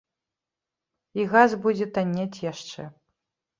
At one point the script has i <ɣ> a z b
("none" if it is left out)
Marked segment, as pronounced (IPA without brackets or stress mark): ɣ